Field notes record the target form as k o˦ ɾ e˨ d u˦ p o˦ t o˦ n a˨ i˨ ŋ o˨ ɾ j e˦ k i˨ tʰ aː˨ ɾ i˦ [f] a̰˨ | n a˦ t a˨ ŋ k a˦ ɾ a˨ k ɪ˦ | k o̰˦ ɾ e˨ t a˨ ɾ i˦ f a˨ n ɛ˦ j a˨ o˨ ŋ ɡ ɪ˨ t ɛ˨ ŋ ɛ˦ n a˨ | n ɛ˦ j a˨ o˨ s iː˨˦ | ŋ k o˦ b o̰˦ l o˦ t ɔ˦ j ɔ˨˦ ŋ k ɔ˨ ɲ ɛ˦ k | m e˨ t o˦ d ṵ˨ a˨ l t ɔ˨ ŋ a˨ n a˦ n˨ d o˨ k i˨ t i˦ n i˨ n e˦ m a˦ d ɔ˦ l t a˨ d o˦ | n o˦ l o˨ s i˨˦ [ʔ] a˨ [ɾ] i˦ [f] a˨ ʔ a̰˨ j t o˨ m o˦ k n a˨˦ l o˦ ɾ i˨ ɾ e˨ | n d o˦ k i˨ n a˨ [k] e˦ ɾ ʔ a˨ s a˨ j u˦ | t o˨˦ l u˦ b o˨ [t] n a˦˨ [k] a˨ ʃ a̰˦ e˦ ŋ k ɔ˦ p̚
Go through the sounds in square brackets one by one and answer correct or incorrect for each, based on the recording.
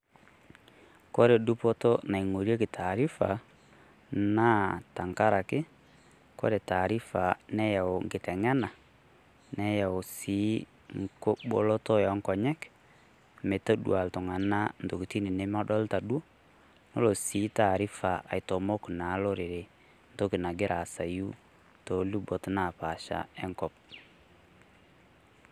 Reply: correct, incorrect: t, correct, correct, incorrect: ɡ, correct, incorrect: p

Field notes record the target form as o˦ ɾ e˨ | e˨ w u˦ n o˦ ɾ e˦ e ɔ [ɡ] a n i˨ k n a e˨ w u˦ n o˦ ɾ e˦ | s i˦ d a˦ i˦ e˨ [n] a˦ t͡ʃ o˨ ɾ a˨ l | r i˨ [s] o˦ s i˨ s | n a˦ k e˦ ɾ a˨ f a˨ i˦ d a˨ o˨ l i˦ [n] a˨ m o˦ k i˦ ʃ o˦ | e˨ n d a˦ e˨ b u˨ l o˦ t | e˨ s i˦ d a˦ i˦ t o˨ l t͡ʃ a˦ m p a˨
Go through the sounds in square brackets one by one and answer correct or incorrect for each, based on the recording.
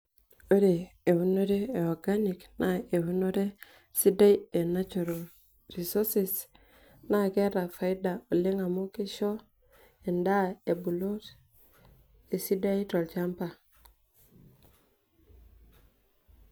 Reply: correct, correct, correct, incorrect: ŋ

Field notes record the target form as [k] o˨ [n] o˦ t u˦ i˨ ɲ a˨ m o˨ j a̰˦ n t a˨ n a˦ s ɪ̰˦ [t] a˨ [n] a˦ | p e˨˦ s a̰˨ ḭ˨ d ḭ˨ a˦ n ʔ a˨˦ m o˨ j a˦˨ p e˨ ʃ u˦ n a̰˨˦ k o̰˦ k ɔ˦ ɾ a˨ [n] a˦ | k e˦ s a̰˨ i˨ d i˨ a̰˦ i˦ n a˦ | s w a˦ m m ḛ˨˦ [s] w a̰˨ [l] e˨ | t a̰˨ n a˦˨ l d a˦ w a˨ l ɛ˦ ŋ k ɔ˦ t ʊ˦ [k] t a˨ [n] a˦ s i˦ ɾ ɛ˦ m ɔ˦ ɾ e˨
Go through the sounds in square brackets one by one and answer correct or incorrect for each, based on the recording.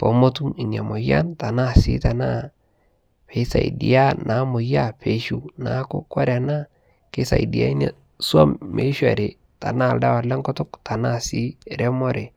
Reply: incorrect: p, incorrect: m, correct, correct, correct, incorrect: ʃ, incorrect: ɾ, correct, correct

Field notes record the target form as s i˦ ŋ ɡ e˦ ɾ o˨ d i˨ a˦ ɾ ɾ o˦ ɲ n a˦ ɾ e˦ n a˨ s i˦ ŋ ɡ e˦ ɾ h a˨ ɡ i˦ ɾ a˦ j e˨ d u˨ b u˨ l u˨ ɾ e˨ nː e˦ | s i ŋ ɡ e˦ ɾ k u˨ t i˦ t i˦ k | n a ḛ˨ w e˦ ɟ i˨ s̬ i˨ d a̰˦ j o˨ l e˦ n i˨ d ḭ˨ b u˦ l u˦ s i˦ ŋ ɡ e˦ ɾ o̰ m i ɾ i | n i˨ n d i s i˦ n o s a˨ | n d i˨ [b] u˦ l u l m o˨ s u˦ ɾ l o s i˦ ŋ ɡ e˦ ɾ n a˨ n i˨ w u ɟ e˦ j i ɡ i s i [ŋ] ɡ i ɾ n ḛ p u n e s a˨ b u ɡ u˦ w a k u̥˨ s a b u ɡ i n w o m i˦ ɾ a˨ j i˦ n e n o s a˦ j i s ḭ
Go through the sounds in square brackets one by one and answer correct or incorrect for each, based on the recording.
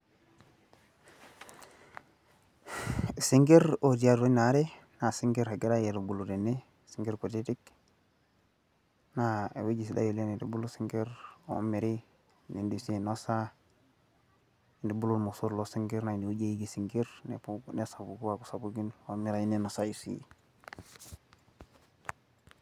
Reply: correct, correct

